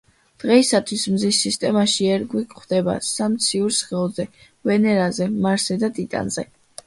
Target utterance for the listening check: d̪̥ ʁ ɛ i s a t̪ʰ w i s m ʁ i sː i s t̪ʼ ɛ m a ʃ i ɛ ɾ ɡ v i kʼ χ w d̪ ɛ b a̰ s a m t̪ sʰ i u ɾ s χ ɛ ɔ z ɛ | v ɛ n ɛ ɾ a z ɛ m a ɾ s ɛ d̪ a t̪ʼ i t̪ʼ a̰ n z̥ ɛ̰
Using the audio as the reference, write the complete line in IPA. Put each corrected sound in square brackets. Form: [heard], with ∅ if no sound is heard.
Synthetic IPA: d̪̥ ʁ ɛ i s a t̪ʰ w i s m [z] i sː i s t̪ʼ ɛ m a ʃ i ɛ ɾ ɡ [w] i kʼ χ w d̪ ɛ b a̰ s a m t̪ sʰ i u ɾ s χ ɛ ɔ z ɛ | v ɛ n ɛ ɾ a z ɛ m a ɾ s ɛ d̪ a t̪ʼ i t̪ʼ a̰ n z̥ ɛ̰